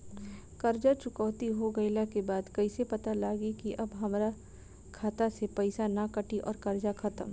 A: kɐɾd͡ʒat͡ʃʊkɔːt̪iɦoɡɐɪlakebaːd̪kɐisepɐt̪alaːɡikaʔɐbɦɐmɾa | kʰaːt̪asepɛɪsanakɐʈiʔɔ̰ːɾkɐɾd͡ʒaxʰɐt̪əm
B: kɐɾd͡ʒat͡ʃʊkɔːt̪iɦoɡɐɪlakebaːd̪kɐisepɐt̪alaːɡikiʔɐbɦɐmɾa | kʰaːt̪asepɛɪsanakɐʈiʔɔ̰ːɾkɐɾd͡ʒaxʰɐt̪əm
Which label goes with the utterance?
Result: B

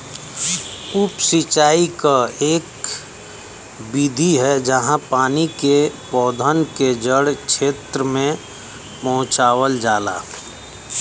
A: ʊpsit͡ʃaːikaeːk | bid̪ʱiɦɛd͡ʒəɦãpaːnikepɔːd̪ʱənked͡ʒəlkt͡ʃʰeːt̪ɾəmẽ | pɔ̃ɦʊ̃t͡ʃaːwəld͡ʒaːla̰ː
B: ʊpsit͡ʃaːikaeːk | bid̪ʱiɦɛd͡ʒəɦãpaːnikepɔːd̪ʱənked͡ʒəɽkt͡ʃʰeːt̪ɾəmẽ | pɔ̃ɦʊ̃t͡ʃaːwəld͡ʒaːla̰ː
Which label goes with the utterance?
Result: B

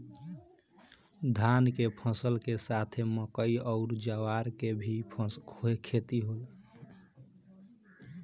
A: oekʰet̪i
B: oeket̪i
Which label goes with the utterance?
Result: A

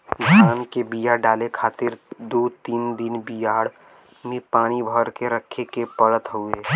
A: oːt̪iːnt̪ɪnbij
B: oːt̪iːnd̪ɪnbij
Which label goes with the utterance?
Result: B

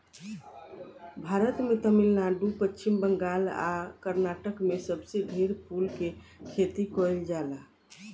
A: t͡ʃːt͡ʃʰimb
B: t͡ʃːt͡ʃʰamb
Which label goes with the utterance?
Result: A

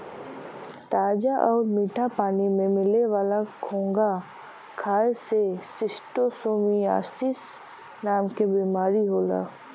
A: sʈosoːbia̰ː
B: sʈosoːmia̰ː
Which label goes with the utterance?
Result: B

